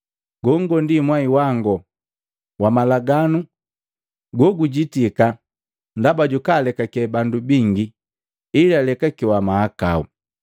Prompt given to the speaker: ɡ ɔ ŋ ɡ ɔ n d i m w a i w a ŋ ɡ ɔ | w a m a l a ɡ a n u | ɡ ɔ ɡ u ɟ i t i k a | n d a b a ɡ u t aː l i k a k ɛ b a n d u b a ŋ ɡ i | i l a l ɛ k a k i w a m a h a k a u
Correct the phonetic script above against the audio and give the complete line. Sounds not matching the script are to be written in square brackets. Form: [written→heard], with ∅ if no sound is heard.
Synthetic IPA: ɡ ɔ ŋ ɡ ɔ n d i m w a i w a ŋ ɡ ɔ | w a m a l a ɡ a n u | ɡ ɔ ɡ u ɟ i t i k a | n d a b a [ɡ→ɟ] u [t→k] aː l [i→ɛ] k a k ɛ b a n d u b [a→i] ŋ ɡ i | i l a l ɛ k a k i w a m a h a k a u